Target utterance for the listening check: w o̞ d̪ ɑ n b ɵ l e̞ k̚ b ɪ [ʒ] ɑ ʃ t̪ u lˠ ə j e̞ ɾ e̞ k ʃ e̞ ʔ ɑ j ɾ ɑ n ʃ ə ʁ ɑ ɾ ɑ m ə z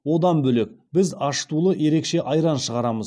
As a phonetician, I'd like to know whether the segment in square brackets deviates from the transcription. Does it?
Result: yes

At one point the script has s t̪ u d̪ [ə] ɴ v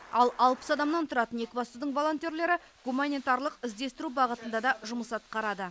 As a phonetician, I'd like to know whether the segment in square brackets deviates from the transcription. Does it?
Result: no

